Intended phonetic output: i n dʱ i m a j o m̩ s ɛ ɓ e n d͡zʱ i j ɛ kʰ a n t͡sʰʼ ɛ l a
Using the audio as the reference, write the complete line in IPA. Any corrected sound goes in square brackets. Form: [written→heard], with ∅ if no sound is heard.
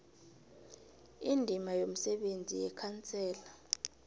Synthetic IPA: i n dʱ i m a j o m̩ s ɛ ɓ e n d͡zʱ i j ɛ kʰ a n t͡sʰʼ [ɛ→ɛː] l a